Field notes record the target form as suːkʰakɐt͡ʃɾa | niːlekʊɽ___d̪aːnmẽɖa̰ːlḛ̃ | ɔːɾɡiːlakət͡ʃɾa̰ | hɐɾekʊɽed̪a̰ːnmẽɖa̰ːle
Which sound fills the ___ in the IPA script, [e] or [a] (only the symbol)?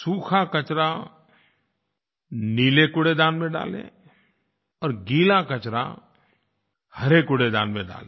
e